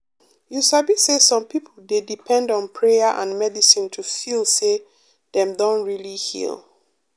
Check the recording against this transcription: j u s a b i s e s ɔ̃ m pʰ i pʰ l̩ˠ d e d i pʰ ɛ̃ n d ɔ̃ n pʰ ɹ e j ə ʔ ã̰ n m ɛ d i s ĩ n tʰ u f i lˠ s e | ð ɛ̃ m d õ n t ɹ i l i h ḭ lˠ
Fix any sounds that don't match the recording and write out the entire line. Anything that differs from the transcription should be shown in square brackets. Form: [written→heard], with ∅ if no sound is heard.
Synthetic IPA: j u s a b i s e s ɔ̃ m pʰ i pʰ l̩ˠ d e d i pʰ ɛ̃ n d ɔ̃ n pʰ ɹ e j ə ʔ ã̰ n m ɛ d i s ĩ n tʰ u f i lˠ s e | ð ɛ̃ m d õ n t ɹ i l i h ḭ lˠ